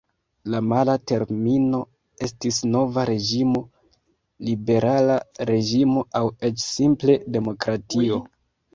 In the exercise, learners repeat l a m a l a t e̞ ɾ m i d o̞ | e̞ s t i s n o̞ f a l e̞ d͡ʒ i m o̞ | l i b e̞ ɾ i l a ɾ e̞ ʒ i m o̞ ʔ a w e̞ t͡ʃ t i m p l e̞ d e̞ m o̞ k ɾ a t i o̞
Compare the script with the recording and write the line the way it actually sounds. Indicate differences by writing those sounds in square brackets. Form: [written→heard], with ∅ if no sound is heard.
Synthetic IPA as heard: l a m a l a t e̞ ɾ m i [d→n] o̞ | e̞ s t i s n o̞ [f→v] a [l→ɾ] e̞ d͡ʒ i m o̞ | l i b e̞ ɾ [i→a] l a ɾ e̞ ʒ i m o̞ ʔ a w e̞ t͡ʃ [t→s] i m p l e̞ d e̞ m o̞ k ɾ a t i o̞